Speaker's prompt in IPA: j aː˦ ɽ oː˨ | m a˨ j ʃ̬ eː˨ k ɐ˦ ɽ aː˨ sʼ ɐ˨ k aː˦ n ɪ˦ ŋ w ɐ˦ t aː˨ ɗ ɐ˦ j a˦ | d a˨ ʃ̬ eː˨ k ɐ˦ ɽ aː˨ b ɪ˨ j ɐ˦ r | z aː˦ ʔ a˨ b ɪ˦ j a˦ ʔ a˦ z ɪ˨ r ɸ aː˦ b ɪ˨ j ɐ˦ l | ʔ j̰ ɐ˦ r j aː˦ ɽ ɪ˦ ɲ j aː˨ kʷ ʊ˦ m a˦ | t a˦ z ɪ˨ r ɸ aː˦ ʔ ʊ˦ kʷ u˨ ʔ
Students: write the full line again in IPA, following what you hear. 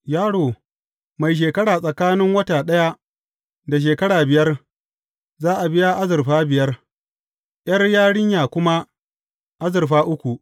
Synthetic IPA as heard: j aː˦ ɽ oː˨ | m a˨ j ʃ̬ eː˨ k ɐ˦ ɽ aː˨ sʼ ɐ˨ k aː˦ n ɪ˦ ŋ w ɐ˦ t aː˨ ɗ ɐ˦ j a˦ | d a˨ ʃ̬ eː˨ k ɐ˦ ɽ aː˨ b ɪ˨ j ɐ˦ r | z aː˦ ʔ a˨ b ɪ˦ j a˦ ʔ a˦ z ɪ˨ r ɸ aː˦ b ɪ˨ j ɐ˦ r | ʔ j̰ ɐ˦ r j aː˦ ɽ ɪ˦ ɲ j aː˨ kʷ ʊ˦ m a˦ | ʔ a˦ z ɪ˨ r ɸ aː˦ ʔ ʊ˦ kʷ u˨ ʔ